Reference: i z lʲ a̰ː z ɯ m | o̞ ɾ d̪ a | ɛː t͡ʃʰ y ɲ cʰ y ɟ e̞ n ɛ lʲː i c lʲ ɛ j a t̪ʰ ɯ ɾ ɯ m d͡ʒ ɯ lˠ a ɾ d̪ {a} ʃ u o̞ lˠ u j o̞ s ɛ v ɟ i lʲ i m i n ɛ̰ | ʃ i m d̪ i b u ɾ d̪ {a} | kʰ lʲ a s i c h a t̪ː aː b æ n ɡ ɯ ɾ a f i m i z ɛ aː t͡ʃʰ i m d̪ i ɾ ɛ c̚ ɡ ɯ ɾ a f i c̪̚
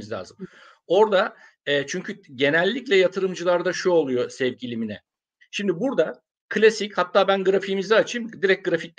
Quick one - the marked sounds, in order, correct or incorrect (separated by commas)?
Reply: correct, correct